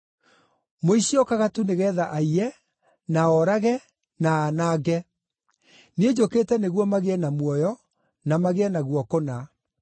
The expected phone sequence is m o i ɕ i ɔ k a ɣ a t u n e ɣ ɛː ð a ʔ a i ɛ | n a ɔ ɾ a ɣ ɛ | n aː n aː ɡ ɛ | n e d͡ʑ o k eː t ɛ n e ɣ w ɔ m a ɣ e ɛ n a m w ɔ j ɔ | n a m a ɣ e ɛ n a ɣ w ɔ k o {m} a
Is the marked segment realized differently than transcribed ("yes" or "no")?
yes